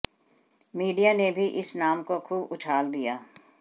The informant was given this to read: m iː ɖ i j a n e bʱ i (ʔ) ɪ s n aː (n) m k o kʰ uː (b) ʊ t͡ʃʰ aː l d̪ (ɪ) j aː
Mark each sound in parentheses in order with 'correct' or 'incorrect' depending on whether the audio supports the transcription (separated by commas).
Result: correct, incorrect, correct, incorrect